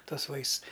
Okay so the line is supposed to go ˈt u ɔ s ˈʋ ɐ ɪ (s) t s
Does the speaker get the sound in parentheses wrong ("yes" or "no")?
no